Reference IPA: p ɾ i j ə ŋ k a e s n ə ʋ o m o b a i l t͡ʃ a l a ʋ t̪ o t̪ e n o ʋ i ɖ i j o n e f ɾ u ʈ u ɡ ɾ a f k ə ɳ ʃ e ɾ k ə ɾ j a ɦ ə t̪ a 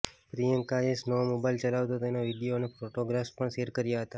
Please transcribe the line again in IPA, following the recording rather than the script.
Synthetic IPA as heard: p ɾ i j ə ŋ k a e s n ə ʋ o m o b a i l t͡ʃ ə l a ʋ t̪ o t̪ e n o ʋ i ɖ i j o n e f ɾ o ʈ o ɡ ɾ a f p ə ɳ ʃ e ɾ k ə ɾ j a ɦ ə t̪ a